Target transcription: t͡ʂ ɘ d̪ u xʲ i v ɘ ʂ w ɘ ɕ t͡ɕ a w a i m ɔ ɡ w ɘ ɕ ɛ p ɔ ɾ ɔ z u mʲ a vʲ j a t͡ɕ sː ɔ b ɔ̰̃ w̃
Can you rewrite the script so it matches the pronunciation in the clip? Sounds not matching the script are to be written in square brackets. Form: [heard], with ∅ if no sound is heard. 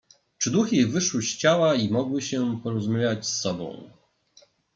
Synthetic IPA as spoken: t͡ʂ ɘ d̪ u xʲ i v ɘ ʂ w ɘ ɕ t͡ɕ a w a i m ɔ ɡ w ɘ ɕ ɛ p ɔ ɾ ɔ z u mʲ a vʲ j a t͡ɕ sː ɔ b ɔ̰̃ w̃